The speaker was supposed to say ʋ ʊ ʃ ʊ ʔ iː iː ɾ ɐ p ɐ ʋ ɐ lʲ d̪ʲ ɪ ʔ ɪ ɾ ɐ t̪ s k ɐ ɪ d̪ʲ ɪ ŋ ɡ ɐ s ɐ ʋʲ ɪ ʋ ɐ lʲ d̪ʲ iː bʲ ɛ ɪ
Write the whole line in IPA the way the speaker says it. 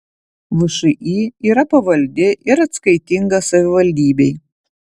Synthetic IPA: ʋ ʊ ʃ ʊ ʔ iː iː ɾ ɐ p ɐ ʋ ɐ lʲ d̪ʲ ɪ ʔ ɪ ɾ ɐ t̪ s k ɐ ɪ t̪ʲ ɪ ŋ ɡ ɐ s ɐ ʋʲ ɪ ʋ ɐ lʲ d̪ʲ iː bʲ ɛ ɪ